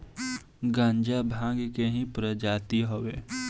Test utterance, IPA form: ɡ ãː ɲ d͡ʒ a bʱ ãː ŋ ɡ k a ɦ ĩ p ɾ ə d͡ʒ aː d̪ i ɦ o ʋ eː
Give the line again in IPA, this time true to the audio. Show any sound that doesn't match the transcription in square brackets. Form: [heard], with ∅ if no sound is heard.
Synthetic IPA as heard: ɡ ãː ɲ d͡ʒ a bʱ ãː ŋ ɡ k [e] ɦ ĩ p ɾ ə d͡ʒ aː [t̪] i ɦ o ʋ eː

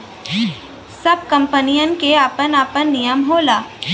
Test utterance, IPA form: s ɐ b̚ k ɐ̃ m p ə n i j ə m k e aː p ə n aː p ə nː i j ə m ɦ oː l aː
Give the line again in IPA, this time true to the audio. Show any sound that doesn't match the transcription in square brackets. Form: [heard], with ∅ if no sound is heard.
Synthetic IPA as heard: s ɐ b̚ k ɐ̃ m p ə n i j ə [n] k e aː p ə n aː p ə nː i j ə m ɦ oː l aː

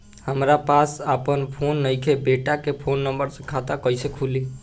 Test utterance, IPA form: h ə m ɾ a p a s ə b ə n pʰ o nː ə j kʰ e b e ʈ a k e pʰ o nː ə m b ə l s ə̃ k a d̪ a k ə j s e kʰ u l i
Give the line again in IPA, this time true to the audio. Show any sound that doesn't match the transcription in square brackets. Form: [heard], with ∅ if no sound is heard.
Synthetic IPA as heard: h ə m ɾ a p a s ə [p] ə n pʰ o nː ə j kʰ e b e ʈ a k e pʰ o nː ə m b ə [ɾ] s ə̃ [kʰ] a [t̪] a k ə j s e kʰ u l i

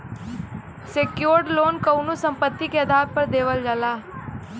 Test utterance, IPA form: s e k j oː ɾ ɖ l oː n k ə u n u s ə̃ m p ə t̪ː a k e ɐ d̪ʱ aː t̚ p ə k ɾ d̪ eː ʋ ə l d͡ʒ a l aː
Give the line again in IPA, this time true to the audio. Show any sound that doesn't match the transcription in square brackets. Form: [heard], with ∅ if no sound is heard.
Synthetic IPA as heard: s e k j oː ɾ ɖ l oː n k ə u n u s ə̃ m p ə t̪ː [i] k e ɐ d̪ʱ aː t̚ p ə [∅] ɾ d̪ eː ʋ ə l d͡ʒ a l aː

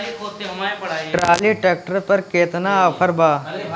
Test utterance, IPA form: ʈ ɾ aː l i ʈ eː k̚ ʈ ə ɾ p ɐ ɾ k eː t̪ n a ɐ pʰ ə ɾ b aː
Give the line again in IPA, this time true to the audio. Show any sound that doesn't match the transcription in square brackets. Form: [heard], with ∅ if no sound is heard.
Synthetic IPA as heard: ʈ ɾ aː l i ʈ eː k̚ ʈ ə ɾ p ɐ ɾ k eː t̪ n a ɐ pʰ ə ɾ b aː

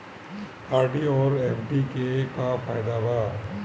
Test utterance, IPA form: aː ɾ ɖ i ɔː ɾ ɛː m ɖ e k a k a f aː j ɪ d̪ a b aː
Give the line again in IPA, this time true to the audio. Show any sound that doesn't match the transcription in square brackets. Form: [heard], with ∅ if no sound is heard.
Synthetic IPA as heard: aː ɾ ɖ i ɔː ɾ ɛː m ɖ [i] k [e] k a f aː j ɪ d̪ a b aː

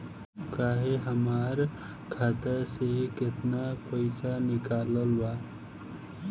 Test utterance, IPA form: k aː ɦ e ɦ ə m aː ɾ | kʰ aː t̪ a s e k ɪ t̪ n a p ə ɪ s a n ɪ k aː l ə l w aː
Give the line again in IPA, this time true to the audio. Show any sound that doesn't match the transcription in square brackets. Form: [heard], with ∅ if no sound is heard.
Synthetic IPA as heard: k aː ɦ e ɦ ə m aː ɾ | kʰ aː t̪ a s e k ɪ t̪ n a p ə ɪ s a n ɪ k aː l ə l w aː

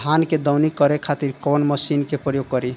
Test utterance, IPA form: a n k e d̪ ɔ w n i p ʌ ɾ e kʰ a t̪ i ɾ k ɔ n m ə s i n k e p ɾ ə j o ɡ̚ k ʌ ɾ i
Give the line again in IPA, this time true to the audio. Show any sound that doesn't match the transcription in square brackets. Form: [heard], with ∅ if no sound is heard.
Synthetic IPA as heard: a n k e d̪ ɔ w n i [k] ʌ ɾ e kʰ a t̪ i ɾ k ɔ n m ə s i n k e p ɾ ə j o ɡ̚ k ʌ ɾ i

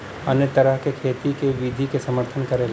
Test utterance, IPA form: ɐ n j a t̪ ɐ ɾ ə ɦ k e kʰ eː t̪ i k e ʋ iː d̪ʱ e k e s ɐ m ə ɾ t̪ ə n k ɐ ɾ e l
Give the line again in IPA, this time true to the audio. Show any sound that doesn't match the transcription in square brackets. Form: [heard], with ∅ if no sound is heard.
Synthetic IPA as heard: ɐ n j [ə] t̪ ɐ ɾ ə ɦ k e kʰ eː t̪ i k e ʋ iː d̪ʱ [i] k e s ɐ m ə ɾ [t̪ʰ] ə n k ɐ ɾ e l

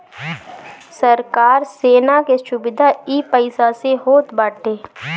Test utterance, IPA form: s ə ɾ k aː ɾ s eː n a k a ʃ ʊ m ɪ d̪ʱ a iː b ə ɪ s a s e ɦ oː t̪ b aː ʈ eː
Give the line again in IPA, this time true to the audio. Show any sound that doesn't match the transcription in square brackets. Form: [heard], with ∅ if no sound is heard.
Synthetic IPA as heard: s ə ɾ k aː ɾ s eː n a k [e] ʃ ʊ [b] ɪ d̪ʱ a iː [p] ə ɪ s a s e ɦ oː t̪ b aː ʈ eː

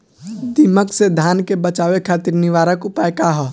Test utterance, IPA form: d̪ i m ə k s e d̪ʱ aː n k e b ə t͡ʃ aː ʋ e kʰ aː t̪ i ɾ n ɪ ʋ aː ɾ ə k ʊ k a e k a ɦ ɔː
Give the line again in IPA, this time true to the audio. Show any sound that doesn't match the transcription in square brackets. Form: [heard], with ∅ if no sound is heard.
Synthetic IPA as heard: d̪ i m ə k s e d̪ʱ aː n k e b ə t͡ʃ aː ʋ e kʰ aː t̪ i ɾ n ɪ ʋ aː ɾ ə k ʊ [p] a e k a ɦ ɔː

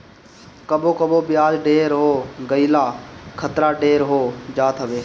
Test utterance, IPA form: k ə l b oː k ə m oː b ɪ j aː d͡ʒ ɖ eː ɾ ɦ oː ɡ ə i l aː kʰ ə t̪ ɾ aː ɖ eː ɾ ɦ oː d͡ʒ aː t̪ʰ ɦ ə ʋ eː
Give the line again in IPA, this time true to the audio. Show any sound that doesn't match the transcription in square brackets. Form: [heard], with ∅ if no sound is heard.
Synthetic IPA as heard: k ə [∅] b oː k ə [b] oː b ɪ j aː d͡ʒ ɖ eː ɾ ɦ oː ɡ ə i l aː kʰ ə t̪ ɾ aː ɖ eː ɾ ɦ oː d͡ʒ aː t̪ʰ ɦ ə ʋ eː

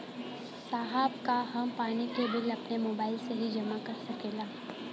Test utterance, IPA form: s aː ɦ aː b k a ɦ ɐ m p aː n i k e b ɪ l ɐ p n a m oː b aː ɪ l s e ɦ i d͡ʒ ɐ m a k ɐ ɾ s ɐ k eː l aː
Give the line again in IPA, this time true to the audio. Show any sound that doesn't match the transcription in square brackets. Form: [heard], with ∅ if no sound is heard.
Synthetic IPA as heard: s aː ɦ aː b k a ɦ ɐ m p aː n i k e b ɪ l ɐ p n [e] m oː b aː ɪ l s e ɦ i d͡ʒ ɐ m a k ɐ ɾ s ɐ k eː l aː

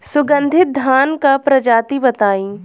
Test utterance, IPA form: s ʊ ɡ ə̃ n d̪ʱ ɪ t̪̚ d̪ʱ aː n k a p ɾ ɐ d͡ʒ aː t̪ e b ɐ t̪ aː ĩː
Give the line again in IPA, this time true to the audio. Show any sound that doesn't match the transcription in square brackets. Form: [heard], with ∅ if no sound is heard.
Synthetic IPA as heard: s ʊ ɡ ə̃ n d̪ʱ ɪ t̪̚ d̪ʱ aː n k a p ɾ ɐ d͡ʒ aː t̪ [i] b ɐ t̪ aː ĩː

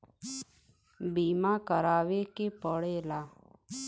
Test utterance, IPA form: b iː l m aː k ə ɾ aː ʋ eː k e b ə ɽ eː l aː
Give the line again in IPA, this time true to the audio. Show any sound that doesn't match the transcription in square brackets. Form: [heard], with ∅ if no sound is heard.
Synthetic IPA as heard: b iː [∅] m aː k ə ɾ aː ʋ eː k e [p] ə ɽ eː l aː

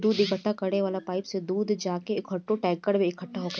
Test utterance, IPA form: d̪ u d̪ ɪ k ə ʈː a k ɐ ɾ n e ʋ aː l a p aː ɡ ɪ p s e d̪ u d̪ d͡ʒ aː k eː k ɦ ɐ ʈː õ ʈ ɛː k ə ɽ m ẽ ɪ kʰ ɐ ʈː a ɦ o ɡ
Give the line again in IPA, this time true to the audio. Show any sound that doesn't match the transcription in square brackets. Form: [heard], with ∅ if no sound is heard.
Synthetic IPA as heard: d̪ [uː] d̪ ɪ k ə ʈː a k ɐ ɾ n e ʋ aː l a p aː [∅] ɪ p s e d̪ [uː] d̪ d͡ʒ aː k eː k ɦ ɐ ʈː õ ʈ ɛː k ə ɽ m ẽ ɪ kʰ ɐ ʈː a ɦ o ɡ

